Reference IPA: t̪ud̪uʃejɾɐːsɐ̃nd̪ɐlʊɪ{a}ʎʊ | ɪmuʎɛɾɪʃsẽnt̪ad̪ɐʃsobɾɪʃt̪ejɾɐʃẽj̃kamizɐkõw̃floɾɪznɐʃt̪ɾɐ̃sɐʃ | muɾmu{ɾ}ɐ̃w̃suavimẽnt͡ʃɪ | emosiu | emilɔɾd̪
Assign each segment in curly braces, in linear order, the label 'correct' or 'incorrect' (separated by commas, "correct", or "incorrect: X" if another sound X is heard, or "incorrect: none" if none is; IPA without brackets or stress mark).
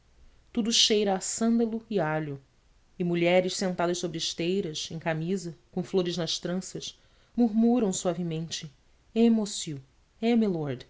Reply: correct, correct